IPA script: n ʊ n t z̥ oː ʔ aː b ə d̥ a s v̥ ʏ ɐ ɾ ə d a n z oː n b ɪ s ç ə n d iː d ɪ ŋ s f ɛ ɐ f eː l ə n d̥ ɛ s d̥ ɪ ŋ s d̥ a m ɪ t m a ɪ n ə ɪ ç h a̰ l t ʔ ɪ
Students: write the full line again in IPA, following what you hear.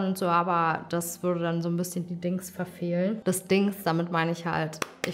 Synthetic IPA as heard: n ʊ n t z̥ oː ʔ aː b ɐ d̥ a s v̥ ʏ ɐ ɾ ə d a n z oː n b ɪ s ç ə n d iː d ɪ ŋ s f ɛ ɐ f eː l ə n d̥ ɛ s d̥ ɪ ŋ s d̥ a m ɪ t m a ɪ n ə ɪ ç h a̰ l t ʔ ɪ